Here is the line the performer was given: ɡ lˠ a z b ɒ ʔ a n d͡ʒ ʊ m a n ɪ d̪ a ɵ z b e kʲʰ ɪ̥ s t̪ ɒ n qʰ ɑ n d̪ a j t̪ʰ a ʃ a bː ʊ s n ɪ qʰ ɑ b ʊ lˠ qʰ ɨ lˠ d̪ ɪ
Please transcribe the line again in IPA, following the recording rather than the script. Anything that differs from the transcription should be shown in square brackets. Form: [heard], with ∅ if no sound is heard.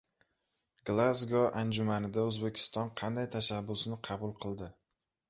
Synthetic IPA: ɡ lˠ a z [ɡ] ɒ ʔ a n d͡ʒ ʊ m a n ɪ d̪ a ɵ z b e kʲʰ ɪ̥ s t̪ ɒ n qʰ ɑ n d̪ a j t̪ʰ a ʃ a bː ʊ s n ɪ qʰ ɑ b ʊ lˠ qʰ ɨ lˠ d̪ ɪ